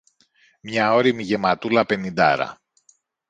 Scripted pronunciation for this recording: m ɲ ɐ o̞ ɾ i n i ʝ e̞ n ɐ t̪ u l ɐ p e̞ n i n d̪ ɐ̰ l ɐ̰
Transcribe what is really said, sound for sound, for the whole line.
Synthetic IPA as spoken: m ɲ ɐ o̞ ɾ i m i ʝ e̞ m ɐ t̪ u l ɐ p e̞ n i n d̪ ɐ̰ ɾ ɐ̰